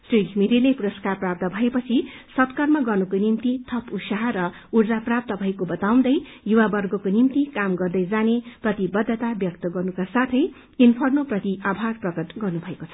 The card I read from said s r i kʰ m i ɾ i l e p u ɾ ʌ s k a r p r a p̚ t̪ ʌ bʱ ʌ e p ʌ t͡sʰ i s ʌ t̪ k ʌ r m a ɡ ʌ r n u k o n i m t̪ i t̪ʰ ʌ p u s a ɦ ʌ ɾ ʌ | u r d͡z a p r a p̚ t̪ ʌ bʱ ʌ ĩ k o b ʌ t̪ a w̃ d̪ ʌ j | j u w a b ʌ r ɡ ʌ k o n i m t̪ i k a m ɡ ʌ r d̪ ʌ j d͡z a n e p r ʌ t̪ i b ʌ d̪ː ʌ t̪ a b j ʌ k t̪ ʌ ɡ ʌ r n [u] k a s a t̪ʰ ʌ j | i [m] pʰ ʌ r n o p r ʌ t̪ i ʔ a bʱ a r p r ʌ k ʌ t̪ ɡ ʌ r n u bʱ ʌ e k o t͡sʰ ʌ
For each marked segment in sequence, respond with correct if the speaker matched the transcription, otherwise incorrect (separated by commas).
correct, incorrect